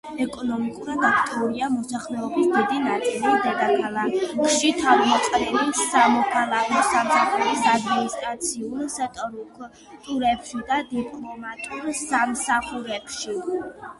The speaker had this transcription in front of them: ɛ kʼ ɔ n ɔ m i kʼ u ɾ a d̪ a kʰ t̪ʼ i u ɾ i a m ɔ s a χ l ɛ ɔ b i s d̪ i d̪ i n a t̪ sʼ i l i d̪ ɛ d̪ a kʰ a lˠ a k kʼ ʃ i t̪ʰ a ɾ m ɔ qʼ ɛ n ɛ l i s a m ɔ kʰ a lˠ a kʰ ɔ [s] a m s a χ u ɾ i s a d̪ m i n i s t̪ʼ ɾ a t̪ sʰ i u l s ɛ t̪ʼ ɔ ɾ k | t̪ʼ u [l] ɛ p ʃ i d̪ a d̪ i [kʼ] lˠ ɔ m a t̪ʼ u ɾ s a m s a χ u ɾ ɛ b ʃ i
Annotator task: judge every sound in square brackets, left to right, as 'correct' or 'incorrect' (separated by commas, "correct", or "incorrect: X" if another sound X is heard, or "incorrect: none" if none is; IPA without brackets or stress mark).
correct, incorrect: ɾ, incorrect: pʼ